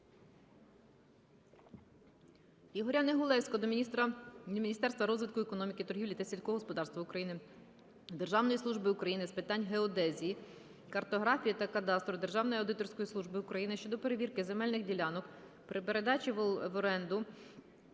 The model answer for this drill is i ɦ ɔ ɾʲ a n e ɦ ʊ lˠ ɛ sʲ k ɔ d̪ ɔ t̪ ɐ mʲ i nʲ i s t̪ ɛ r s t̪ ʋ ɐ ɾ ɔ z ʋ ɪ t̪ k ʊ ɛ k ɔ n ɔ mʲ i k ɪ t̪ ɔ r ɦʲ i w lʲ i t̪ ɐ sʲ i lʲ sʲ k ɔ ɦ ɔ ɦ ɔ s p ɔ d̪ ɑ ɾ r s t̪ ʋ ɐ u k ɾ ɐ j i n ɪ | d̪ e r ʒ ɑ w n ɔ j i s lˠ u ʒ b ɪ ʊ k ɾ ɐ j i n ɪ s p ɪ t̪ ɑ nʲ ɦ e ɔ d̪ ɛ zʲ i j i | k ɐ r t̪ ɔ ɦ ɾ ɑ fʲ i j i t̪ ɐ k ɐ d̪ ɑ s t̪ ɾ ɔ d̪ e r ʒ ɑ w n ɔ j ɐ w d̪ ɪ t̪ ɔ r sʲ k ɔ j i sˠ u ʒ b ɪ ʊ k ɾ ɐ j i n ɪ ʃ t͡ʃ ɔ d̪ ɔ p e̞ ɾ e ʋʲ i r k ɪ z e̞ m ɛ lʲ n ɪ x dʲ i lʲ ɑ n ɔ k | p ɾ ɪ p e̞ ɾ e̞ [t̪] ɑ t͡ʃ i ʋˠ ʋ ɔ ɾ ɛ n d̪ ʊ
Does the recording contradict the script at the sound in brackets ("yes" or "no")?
yes